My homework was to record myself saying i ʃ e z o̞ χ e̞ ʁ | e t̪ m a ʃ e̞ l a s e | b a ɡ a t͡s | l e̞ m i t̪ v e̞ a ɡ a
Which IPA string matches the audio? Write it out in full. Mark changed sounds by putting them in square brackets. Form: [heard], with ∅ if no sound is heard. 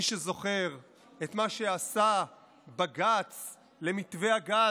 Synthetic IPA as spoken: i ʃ e z o̞ χ e̞ ʁ | e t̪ m a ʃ e̞ [∅] a s [a] | b a ɡ a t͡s | l e̞ m i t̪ v e̞ a ɡ a